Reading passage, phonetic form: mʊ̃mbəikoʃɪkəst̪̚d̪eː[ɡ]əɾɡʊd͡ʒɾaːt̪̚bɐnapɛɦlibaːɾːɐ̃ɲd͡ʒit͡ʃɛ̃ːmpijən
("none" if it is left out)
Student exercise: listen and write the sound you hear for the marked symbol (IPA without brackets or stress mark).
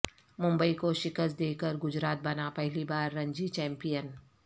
k